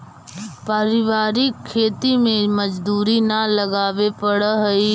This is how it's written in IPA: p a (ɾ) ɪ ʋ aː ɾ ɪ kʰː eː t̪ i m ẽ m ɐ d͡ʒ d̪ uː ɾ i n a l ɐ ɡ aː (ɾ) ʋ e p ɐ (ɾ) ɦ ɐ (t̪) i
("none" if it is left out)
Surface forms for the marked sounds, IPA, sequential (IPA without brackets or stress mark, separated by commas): ɾ, none, ɽ, none